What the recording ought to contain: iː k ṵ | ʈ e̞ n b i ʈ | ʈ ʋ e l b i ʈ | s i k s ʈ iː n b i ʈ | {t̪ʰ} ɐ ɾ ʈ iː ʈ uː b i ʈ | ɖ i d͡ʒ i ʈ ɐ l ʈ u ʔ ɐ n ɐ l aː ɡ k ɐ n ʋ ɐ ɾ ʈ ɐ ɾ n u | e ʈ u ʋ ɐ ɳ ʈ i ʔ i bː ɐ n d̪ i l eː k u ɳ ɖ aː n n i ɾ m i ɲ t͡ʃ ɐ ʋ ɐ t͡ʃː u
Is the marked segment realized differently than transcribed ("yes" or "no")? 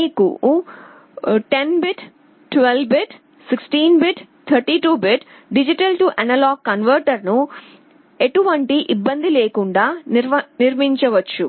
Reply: no